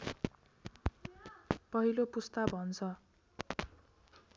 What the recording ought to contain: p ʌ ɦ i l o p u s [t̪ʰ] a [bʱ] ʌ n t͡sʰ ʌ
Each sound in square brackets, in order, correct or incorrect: incorrect: t̪, correct

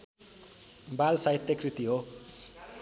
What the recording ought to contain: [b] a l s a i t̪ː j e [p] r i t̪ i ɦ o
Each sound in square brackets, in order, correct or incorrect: correct, incorrect: k

